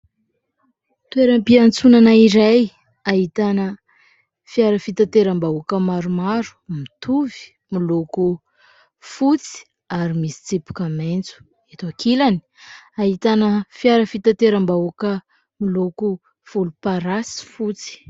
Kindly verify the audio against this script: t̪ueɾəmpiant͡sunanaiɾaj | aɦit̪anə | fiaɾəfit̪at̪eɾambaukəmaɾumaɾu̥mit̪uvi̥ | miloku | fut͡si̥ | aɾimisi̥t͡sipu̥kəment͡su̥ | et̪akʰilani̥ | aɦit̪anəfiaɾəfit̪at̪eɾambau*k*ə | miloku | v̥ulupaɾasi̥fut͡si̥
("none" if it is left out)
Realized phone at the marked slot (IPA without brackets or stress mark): k